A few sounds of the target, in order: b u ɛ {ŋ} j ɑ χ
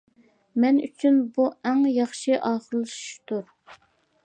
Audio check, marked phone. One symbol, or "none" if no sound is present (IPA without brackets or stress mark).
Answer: ŋ